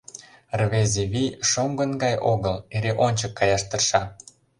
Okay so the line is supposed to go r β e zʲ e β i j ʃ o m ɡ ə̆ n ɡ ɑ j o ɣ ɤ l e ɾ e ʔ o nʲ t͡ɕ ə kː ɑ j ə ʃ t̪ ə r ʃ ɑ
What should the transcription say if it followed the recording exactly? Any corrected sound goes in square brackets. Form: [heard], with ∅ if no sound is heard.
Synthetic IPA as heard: r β e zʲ e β i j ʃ o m ɡ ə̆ n ɡ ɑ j o ɣ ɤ l e ɾ e ʔ o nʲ t͡ɕ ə kː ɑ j [ɑ] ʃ t̪ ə r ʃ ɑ